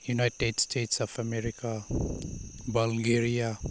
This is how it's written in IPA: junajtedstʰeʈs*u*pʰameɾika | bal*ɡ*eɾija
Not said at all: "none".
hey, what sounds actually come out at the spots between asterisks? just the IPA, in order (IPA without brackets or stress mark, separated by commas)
ɔ, ɡ